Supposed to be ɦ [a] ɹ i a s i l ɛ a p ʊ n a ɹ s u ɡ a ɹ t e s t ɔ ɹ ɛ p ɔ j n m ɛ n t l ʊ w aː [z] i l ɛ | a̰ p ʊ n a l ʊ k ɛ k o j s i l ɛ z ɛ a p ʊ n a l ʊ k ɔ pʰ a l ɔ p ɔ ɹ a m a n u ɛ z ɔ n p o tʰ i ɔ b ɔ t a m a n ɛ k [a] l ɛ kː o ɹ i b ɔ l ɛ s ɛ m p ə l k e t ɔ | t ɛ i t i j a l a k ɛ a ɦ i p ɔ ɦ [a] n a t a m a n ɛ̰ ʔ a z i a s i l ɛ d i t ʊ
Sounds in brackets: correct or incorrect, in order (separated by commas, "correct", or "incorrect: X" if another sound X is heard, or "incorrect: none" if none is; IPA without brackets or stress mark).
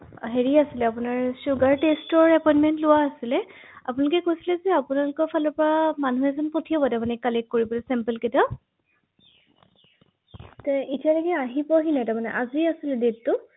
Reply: incorrect: e, incorrect: s, correct, incorrect: i